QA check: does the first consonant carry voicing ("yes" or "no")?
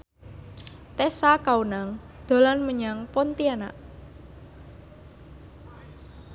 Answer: no